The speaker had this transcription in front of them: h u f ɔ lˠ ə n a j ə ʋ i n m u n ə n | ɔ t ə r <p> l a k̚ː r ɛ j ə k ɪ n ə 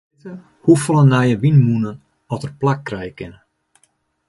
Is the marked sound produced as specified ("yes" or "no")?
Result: yes